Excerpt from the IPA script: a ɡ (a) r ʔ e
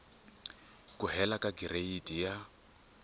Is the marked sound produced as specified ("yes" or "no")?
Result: no